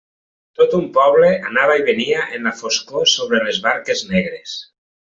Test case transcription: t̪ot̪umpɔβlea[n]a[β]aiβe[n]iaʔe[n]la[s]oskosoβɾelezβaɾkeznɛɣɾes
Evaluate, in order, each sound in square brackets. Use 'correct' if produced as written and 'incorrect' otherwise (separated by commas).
correct, correct, correct, correct, incorrect